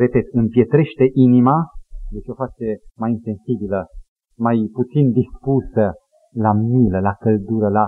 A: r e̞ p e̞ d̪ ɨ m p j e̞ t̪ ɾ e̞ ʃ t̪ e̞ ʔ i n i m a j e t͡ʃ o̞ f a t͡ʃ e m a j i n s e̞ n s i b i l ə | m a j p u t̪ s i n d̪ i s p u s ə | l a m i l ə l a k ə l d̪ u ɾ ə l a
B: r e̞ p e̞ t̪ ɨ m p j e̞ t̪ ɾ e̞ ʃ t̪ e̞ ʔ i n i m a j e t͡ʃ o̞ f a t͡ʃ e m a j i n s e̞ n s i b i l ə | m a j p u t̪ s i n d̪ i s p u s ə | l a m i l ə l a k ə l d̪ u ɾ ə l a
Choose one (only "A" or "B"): B